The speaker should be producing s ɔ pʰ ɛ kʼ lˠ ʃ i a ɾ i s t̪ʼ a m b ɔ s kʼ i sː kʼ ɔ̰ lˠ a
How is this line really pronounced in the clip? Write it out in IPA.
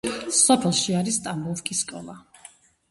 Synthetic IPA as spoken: s ɔ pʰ ɛ lˠ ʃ i a ɾ i s t̪ʼ a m b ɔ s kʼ i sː kʼ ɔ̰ lˠ a